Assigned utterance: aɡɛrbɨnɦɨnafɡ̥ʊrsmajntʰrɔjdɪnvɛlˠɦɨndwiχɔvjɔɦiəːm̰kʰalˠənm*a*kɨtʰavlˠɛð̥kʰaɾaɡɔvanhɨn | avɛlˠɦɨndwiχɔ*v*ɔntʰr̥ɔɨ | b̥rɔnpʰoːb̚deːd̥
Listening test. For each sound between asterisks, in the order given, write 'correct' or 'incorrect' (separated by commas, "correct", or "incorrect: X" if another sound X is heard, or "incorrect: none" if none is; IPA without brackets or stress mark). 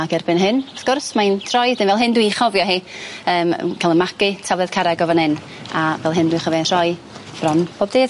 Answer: correct, correct